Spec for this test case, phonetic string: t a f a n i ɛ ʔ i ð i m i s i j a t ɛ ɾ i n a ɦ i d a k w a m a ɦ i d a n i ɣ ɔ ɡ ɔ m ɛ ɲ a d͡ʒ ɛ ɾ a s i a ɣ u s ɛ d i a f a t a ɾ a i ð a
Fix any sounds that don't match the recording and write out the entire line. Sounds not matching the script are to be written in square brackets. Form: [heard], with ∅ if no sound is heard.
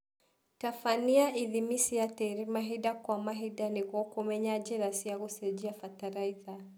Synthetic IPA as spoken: t a f a n i [a] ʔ i ð i m i s i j a t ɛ ɾ i [m] a ɦ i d a k w a m a ɦ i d a n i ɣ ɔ [k] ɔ m ɛ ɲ a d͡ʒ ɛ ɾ a s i a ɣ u s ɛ [d͡ʒ] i a f a t a ɾ a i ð a